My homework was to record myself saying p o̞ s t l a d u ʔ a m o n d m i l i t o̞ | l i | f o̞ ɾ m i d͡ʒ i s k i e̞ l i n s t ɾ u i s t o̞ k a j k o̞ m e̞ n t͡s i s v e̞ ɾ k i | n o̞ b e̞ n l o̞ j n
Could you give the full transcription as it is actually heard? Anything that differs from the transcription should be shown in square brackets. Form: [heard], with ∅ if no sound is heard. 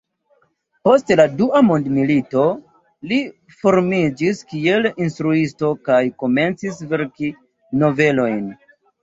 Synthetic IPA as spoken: p o̞ s t l a d u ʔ a m o n d m i l i t o̞ | l i | f o̞ ɾ m i d͡ʒ i s k i e̞ l i n s t ɾ u i s t o̞ k a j k o̞ m e̞ n t͡s i s v e̞ ɾ k i | n o̞ [v] e̞ [∅] l o̞ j n